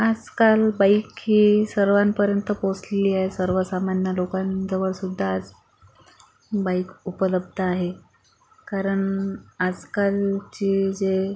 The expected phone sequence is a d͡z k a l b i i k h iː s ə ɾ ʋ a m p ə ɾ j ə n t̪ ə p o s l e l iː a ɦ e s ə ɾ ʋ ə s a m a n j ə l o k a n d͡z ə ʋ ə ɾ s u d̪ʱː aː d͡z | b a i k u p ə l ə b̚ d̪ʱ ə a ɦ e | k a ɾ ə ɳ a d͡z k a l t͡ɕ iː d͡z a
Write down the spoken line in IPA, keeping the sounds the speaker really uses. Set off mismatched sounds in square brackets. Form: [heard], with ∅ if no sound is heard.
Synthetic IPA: a d͡z k a l b [a] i k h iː s ə ɾ ʋ a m p ə ɾ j ə n t̪ ə p o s l e l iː a ɦ e s ə ɾ ʋ ə s a m a n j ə l o k a n d͡z ə ʋ ə [ɭ] s u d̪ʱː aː d͡z | b a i k u p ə l ə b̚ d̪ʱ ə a ɦ e | k a ɾ ə ɳ a d͡z k a l t͡ɕ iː d͡z [e]